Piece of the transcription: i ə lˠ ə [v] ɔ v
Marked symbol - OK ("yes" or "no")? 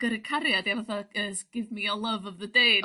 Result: yes